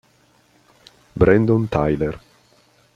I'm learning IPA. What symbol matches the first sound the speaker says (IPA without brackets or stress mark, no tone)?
b